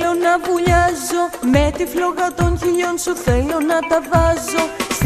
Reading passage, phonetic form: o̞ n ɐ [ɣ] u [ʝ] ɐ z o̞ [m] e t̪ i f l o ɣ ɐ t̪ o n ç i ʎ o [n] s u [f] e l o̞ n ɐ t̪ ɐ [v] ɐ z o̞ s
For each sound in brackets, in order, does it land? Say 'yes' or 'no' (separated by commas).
no, no, yes, yes, no, yes